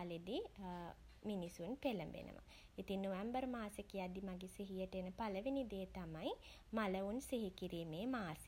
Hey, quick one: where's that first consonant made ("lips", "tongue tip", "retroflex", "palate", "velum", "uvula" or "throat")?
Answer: tongue tip